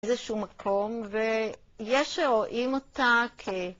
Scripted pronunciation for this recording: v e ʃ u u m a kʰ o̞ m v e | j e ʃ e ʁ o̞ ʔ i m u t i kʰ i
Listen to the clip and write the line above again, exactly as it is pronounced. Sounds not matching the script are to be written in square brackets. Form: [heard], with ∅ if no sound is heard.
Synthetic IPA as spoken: [z] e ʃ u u m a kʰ o̞ m v e | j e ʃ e ʁ o̞ ʔ i m [o] t [a] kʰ [e]